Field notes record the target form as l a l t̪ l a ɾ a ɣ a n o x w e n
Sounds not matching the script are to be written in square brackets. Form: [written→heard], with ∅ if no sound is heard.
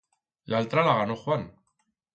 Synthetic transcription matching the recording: l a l t̪ [l→ɾ] a [ɾ→l] a ɣ a n o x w [e→a] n